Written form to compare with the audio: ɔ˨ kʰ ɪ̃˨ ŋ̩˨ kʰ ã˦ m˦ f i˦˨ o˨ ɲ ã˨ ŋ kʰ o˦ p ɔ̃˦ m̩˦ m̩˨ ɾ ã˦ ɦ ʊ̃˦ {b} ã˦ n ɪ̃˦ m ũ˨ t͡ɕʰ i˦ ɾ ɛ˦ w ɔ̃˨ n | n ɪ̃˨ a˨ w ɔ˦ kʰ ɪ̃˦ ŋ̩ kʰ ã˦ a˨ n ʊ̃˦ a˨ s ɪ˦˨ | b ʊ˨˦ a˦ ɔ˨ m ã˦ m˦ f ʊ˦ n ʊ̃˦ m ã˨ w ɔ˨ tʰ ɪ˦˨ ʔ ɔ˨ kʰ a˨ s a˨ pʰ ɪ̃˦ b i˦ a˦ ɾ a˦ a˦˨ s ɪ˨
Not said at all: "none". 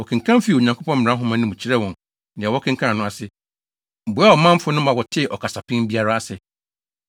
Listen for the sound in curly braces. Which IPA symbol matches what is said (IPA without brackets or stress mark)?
m